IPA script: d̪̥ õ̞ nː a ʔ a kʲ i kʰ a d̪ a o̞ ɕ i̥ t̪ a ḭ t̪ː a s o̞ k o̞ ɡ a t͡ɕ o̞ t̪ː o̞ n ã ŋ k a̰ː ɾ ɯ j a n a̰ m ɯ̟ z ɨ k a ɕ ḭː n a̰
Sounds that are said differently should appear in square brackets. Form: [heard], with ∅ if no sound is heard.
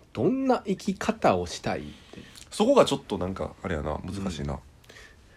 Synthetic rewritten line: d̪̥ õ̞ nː a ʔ [i] kʲ i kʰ a [t̪] a o̞ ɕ i̥ t̪ a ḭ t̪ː [e] s o̞ k o̞ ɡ a t͡ɕ o̞ t̪ː o̞ n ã ŋ k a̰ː ɾ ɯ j a n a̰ m ɯ̟ z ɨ k a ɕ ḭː n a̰